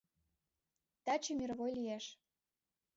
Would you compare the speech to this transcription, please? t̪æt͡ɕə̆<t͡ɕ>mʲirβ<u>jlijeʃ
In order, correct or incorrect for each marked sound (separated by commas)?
incorrect, incorrect